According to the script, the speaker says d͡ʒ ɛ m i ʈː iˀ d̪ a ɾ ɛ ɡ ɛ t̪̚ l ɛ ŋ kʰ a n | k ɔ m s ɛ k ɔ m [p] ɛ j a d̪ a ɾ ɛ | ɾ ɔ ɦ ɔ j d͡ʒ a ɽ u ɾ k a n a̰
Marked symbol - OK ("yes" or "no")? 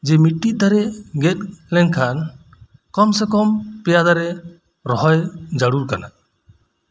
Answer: yes